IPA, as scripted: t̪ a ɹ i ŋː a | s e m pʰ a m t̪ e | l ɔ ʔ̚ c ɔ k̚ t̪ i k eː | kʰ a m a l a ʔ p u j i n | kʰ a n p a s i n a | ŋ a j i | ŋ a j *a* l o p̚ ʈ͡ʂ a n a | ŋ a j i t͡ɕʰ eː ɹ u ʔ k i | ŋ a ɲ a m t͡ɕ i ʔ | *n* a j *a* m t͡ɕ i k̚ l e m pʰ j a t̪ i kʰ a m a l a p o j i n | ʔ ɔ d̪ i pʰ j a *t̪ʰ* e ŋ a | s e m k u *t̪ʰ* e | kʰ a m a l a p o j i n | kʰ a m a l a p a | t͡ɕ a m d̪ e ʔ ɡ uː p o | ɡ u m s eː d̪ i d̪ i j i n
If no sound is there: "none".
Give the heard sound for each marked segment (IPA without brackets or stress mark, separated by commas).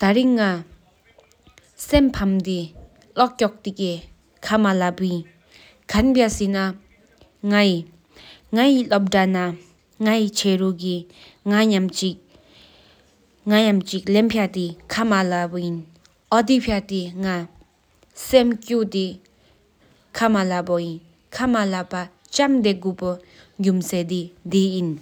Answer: i, ŋ, a, t̪, t̪